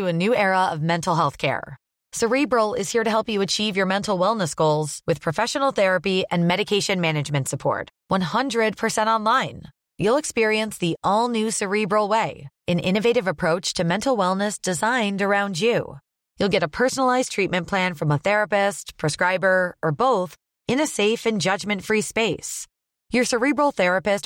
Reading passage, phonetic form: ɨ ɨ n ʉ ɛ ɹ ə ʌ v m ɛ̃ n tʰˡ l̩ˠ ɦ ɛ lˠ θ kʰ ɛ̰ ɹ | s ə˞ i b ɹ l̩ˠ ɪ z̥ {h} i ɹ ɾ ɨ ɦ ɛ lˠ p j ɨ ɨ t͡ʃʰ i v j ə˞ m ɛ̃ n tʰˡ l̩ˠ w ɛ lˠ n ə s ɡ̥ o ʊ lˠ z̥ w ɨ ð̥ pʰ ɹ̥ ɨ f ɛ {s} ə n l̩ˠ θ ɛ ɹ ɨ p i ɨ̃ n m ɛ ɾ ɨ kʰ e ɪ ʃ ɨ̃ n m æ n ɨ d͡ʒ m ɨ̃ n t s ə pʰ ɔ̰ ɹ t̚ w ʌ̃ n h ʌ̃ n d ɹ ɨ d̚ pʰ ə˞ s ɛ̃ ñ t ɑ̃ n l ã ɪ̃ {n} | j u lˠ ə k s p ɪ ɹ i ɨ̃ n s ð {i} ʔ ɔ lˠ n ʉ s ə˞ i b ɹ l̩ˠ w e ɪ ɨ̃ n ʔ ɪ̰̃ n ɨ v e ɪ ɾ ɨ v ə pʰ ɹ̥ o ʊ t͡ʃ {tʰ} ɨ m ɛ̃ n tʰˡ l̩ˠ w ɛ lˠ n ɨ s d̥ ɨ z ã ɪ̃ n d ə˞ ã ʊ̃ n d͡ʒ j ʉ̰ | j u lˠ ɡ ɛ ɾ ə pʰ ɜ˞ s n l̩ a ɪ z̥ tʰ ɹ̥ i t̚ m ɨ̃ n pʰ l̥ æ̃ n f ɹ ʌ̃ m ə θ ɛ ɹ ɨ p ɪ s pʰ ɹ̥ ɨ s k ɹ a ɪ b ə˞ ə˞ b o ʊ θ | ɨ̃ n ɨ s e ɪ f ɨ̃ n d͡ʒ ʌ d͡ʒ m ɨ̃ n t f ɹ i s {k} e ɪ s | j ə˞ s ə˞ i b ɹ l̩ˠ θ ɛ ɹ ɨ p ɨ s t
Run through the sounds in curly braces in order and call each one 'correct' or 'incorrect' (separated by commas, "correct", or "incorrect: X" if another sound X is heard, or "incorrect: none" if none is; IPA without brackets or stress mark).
correct, incorrect: ʃ, correct, correct, correct, incorrect: p